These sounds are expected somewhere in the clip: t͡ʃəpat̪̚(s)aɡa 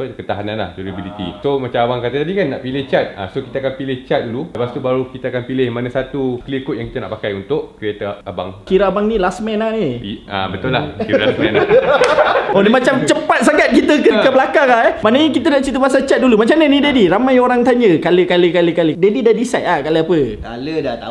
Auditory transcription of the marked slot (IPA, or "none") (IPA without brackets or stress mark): s